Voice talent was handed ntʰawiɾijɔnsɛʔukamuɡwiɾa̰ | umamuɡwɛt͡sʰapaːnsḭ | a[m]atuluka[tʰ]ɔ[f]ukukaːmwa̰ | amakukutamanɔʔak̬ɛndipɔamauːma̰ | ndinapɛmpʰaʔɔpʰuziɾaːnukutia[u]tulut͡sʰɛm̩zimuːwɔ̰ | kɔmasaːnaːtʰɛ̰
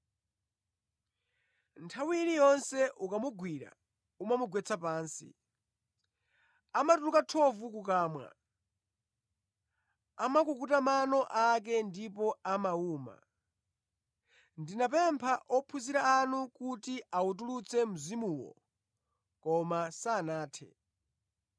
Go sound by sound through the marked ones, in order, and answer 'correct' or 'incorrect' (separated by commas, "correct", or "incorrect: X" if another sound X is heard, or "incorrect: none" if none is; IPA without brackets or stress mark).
correct, correct, incorrect: v, correct